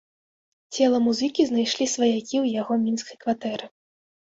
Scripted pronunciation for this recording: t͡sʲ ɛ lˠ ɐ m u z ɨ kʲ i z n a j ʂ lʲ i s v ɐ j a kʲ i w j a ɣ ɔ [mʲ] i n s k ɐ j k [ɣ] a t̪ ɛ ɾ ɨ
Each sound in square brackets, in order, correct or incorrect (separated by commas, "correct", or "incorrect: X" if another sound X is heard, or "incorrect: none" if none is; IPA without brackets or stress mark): correct, incorrect: v